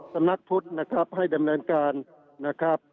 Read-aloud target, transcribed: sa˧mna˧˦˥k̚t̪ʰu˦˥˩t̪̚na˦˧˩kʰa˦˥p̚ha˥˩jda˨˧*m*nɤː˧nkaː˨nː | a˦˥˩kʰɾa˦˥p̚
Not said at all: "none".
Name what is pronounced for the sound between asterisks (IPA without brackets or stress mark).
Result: m